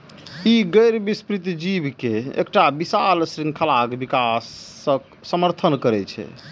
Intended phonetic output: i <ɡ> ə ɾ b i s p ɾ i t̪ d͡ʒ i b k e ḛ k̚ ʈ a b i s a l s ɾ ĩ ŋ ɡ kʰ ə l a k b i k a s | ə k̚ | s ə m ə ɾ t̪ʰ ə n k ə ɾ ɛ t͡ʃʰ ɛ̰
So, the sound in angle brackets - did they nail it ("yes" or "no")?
yes